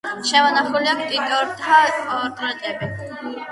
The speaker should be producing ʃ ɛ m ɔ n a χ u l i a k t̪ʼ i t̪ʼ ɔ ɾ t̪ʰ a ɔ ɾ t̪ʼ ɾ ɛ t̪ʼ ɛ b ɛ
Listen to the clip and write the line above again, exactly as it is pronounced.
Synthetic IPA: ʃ ɛ m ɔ n a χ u l i a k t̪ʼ i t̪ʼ ɔ ɾ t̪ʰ a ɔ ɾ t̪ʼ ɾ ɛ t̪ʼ ɛ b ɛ